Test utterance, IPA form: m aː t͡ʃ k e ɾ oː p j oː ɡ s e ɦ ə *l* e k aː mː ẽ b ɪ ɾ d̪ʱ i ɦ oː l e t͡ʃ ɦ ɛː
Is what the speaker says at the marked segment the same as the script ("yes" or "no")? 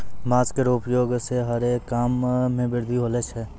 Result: no